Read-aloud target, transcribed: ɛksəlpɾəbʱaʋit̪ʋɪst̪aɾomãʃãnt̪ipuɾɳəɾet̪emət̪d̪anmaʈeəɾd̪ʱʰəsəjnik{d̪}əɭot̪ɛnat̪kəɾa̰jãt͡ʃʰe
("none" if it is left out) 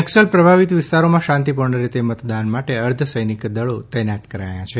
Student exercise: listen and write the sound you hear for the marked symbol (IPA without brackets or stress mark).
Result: d̪